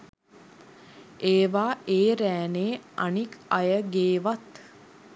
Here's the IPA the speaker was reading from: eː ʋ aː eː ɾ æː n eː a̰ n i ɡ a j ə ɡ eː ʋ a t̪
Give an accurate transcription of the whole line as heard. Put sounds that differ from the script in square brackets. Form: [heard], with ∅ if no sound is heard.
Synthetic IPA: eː ʋ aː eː ɾ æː n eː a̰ n i [k] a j ə ɡ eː ʋ a t̪